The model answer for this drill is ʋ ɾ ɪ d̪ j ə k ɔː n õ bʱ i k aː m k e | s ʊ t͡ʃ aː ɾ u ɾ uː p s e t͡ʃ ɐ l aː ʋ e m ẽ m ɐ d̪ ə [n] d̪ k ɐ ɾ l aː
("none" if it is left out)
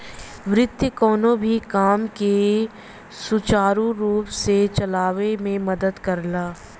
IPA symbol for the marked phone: none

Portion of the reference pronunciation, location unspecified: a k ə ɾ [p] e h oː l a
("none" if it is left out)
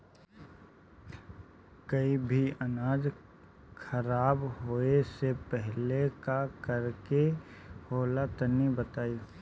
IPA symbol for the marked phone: k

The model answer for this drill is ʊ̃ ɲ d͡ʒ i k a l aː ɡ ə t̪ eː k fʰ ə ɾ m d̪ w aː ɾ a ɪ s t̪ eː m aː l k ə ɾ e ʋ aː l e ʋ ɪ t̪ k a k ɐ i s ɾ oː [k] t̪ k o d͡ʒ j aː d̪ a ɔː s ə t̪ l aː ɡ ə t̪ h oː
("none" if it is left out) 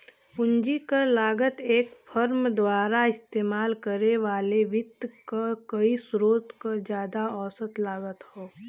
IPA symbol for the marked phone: none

